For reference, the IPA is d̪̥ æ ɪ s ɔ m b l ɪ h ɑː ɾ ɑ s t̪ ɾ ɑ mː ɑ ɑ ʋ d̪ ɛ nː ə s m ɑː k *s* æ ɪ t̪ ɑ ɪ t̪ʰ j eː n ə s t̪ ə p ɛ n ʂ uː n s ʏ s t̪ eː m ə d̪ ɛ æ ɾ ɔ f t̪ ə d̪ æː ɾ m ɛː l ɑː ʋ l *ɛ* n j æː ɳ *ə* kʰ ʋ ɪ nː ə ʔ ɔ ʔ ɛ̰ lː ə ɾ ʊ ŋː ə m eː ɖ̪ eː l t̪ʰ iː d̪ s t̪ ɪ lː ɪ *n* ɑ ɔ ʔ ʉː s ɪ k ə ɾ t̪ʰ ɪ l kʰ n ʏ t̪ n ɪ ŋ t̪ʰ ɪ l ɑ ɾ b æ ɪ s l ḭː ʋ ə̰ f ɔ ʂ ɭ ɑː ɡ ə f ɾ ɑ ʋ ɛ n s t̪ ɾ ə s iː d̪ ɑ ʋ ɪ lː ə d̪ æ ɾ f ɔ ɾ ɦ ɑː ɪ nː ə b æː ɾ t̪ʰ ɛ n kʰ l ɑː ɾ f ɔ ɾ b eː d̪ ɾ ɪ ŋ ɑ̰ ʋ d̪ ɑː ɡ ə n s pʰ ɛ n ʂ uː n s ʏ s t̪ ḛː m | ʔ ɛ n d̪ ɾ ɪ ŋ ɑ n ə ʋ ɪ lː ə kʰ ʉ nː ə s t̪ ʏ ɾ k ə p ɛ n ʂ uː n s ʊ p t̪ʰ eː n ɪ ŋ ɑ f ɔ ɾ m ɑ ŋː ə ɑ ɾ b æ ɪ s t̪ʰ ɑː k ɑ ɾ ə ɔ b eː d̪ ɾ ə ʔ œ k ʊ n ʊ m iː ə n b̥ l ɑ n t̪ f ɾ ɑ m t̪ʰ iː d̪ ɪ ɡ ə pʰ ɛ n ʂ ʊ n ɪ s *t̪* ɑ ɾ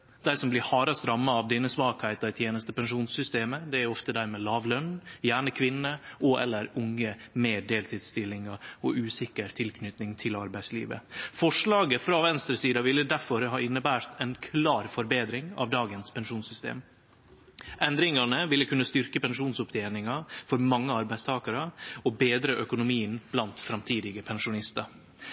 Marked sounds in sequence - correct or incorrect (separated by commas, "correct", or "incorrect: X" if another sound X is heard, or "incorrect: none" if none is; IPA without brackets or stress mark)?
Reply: incorrect: h, incorrect: œ, correct, incorrect: ŋ, correct